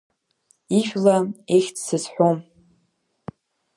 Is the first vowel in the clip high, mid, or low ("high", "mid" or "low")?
high